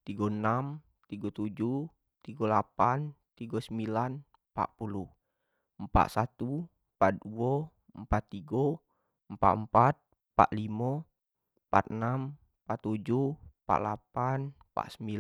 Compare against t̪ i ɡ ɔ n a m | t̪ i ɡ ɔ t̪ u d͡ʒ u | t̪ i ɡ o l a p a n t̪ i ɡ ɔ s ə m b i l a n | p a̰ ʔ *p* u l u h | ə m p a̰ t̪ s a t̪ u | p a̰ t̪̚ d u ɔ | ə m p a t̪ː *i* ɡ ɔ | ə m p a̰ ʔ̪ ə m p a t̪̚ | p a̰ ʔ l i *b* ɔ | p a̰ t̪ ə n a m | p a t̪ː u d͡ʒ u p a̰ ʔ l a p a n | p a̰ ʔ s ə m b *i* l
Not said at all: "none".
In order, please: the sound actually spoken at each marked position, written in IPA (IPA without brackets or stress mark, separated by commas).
p, i, m, i